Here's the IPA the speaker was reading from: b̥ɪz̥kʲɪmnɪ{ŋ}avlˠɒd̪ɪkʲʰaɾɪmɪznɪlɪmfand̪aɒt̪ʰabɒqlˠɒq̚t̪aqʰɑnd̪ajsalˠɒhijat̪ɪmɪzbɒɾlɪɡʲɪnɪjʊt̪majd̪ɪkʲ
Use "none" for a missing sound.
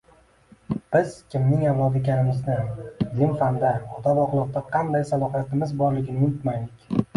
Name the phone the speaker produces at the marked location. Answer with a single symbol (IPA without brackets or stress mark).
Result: ŋ